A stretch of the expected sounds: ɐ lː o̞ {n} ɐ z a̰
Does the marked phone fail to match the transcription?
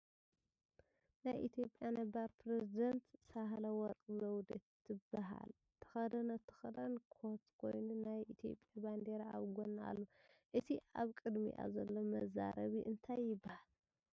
yes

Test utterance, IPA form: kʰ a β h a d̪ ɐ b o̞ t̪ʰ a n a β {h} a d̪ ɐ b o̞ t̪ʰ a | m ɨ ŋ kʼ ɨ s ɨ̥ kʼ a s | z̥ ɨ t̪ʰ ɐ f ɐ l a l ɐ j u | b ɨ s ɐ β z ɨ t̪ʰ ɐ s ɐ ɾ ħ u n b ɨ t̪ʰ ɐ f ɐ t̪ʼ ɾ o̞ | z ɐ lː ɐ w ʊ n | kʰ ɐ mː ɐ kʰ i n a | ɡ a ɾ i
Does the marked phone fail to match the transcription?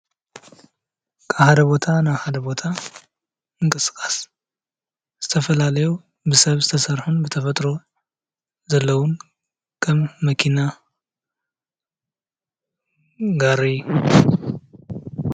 no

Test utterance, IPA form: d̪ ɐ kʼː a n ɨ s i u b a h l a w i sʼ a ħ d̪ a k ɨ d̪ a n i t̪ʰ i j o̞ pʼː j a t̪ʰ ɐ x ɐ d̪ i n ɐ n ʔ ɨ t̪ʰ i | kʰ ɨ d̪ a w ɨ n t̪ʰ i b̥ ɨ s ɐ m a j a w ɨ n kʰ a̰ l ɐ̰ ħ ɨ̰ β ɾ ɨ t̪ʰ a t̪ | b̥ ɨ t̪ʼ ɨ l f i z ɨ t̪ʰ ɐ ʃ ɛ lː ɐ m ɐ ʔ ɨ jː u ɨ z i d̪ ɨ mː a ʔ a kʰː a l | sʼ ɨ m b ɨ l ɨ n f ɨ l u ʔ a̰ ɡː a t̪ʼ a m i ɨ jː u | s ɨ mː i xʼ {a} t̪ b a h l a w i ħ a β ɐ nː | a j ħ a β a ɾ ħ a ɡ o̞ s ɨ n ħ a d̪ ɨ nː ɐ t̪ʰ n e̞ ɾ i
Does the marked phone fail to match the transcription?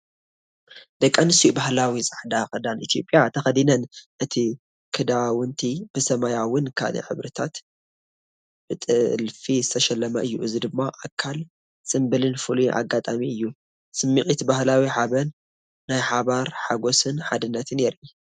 yes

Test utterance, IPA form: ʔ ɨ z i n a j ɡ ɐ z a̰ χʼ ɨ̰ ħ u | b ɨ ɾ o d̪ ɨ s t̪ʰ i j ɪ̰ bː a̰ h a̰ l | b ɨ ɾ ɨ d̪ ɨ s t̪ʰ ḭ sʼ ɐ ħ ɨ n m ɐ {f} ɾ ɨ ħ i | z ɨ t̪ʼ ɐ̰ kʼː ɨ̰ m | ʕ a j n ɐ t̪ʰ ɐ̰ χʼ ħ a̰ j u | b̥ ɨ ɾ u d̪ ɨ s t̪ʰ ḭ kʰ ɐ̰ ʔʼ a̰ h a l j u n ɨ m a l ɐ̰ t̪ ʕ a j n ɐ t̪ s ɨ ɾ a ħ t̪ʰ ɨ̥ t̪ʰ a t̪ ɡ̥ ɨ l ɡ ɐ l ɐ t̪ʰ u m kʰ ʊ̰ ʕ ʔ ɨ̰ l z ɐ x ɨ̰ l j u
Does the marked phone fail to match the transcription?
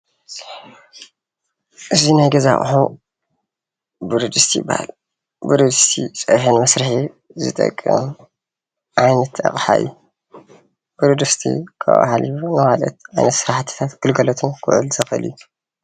yes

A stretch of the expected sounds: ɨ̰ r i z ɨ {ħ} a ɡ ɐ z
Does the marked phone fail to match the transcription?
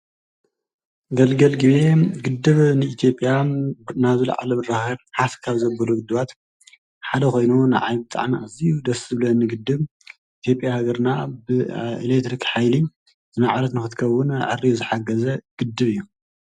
no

